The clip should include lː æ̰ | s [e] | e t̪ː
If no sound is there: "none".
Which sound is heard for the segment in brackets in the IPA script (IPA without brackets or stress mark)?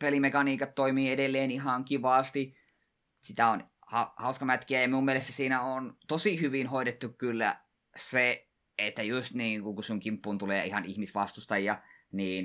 e